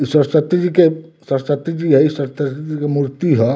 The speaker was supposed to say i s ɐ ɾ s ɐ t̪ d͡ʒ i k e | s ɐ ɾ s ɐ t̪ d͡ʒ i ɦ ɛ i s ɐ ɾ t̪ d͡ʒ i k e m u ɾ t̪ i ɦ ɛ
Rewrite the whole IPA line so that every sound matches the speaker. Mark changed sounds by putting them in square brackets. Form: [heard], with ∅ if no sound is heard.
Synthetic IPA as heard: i s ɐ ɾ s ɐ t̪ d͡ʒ i k e | s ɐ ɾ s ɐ t̪ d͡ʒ i ɦ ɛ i s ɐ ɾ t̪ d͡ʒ i k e m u ɾ t̪ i ɦ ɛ